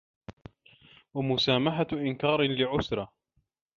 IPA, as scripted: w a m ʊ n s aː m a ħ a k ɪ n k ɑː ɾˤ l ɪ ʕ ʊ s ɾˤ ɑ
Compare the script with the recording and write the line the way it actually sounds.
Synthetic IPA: w a m ʊ s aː m a ħ a ʔ ɪ n k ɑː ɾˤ l ɪ ʕ ʊ s ɾˤ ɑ